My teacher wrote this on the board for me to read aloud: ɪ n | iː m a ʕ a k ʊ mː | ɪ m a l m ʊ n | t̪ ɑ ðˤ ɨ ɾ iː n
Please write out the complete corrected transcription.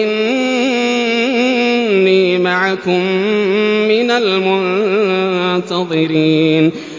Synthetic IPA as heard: ɪ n | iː m a ʕ a k ʊ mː | ɪ n a l m ʊ n | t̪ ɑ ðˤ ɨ ɾ iː n